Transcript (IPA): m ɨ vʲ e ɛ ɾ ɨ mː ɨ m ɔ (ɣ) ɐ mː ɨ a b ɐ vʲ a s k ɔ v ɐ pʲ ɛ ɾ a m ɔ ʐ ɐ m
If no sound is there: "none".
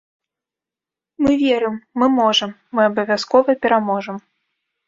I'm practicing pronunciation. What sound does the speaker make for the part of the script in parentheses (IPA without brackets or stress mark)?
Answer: ʐ